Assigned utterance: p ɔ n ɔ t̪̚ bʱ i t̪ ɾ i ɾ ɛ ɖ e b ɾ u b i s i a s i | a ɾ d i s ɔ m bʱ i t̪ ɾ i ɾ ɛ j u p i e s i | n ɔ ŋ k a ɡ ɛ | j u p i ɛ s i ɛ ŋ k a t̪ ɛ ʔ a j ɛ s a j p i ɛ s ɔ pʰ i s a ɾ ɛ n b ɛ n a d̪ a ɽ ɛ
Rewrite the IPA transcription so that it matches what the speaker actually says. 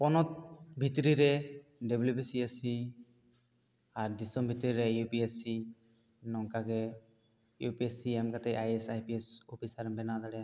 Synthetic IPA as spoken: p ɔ n ɔ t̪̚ bʱ i t̪ ɾ i ɾ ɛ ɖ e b l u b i s i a s i | a ɾ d i s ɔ m bʱ i t̪ ɾ i ɾ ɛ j u p i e s i | n ɔ ŋ k a ɡ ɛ | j u p i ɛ s i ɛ m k a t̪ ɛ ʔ a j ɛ s a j p i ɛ s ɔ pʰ i s a ɾ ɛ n b ɛ n a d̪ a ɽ ɛ